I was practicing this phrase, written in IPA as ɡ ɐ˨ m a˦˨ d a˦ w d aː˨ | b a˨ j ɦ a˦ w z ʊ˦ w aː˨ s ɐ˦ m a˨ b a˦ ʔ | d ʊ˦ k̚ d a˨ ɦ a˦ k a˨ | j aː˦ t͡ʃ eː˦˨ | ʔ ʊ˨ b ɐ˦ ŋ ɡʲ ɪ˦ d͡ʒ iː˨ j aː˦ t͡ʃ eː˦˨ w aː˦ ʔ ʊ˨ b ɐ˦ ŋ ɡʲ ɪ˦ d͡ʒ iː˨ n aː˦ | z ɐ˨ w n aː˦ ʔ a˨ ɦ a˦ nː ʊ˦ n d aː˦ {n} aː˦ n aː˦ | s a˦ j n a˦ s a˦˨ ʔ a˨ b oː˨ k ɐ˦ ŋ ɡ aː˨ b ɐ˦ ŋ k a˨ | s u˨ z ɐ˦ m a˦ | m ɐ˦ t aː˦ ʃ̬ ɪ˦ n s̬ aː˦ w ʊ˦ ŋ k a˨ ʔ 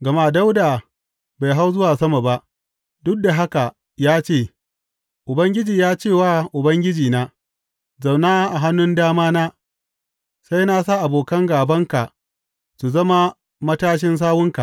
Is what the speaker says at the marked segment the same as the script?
no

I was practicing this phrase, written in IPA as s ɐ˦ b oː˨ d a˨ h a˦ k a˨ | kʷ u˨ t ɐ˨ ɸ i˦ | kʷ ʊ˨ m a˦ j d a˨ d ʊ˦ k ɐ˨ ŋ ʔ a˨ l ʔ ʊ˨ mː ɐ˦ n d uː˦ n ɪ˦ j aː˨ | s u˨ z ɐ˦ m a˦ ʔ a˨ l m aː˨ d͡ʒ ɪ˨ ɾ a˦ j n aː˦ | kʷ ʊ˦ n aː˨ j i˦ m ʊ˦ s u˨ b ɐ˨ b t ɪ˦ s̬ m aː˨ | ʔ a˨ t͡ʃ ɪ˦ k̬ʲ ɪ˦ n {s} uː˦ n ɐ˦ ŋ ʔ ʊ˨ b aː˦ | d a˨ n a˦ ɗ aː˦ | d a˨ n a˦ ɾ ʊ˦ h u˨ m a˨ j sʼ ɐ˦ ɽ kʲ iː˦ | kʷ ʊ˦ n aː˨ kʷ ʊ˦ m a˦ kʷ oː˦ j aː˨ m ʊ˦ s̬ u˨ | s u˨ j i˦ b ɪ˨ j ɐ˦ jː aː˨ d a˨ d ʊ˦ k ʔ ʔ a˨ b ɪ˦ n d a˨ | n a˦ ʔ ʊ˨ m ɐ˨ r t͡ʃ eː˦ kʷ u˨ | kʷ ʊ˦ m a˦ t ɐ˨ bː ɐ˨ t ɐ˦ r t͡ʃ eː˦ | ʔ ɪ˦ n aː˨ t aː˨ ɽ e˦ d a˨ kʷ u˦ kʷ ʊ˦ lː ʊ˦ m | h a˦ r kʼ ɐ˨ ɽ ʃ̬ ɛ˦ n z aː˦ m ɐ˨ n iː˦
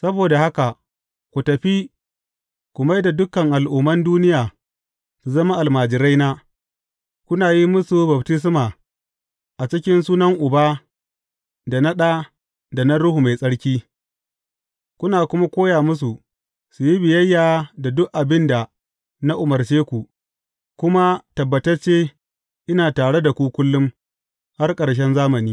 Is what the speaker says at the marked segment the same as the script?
yes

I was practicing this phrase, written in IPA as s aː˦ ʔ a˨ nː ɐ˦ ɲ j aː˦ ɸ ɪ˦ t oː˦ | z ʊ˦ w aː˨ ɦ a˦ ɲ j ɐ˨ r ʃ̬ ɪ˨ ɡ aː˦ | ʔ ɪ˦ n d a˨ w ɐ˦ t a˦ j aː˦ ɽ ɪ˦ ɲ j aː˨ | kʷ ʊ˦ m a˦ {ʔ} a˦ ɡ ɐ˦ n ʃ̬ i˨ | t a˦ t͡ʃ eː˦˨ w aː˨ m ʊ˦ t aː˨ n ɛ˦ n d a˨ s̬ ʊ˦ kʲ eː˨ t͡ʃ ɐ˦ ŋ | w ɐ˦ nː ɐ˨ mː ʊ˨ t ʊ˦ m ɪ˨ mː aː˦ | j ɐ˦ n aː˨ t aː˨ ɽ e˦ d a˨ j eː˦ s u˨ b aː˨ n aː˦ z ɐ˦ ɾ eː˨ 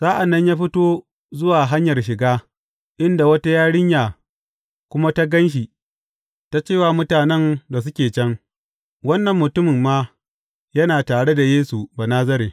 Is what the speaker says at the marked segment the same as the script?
no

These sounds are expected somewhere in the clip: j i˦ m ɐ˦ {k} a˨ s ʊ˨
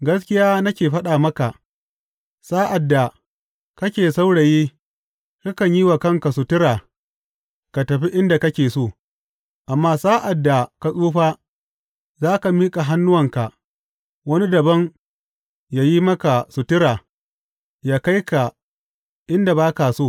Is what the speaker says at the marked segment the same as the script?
yes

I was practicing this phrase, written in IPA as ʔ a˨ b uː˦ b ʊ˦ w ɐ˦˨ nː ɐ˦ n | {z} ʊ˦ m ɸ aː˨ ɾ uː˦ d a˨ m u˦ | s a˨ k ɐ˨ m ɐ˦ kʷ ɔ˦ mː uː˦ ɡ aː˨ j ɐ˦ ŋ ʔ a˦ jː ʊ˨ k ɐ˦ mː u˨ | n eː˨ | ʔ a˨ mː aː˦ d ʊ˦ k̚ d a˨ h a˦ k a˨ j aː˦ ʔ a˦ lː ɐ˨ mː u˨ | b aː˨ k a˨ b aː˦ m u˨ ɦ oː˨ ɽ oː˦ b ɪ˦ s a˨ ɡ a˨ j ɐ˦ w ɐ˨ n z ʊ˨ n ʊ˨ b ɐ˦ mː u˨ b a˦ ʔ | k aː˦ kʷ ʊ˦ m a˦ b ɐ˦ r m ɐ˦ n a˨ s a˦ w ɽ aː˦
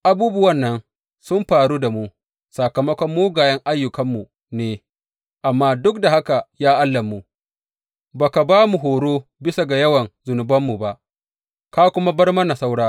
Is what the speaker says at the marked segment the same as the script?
no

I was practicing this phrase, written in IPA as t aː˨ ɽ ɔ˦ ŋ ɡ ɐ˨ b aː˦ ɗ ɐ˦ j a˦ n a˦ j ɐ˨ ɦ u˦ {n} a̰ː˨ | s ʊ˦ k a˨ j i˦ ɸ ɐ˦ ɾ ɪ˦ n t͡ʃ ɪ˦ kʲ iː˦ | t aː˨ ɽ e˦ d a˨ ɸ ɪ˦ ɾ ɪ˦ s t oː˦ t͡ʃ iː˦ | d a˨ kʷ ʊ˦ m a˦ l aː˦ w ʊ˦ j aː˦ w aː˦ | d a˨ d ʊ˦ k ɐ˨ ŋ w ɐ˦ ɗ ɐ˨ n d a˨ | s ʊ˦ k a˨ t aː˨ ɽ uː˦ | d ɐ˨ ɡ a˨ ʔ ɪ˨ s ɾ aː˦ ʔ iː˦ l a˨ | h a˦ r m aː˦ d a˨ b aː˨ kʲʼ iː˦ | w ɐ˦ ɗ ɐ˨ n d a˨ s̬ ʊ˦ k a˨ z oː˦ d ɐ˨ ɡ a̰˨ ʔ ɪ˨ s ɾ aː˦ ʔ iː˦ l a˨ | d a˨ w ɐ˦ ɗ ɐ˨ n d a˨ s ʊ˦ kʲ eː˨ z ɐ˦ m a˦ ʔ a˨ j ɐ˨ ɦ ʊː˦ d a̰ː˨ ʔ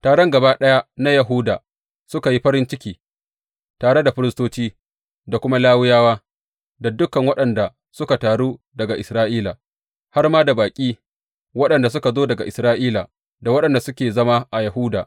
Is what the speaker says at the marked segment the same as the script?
no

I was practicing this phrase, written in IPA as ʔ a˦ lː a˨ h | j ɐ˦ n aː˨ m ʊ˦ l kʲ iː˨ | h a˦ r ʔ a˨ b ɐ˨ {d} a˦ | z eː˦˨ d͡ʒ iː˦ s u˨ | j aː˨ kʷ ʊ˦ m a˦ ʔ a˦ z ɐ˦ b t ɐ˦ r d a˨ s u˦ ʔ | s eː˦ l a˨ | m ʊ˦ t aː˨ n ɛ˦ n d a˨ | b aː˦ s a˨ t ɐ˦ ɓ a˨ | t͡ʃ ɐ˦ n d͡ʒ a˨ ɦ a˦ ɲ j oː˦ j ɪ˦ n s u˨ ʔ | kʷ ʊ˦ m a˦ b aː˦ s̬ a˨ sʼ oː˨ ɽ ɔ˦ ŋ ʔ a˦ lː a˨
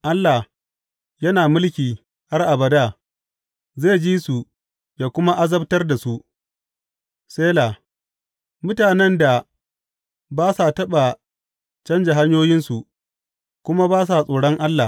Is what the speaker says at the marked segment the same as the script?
yes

